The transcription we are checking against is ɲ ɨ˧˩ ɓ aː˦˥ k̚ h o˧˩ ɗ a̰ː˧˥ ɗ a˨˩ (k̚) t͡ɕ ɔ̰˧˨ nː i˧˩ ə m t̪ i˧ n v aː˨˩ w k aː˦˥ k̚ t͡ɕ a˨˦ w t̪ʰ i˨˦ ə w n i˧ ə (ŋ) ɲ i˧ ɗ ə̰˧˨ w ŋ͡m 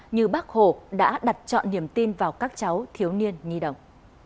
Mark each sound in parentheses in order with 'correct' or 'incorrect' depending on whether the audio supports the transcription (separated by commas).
incorrect, incorrect